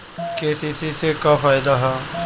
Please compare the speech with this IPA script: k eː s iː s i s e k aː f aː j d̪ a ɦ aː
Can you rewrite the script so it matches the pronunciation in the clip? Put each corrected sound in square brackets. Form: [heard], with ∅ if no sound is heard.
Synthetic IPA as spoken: k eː s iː s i s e k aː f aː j d̪ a ɦ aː